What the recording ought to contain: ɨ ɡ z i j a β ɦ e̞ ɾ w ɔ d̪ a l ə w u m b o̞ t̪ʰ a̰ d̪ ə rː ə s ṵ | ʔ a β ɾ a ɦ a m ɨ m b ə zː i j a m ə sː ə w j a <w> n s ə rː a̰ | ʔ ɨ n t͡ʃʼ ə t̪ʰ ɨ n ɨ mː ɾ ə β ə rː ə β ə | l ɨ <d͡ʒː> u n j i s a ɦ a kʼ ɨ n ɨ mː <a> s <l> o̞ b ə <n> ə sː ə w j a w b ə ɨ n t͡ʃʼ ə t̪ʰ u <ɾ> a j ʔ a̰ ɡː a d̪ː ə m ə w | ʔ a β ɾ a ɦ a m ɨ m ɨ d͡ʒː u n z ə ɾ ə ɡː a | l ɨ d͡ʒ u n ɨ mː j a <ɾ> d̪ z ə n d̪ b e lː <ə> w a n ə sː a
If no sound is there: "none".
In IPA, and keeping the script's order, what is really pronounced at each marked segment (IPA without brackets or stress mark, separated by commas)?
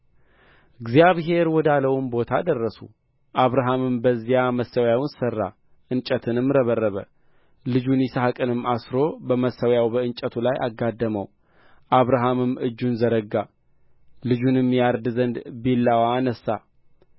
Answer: w, d͡ʒ, a, ɾ, m, l, ɾ, a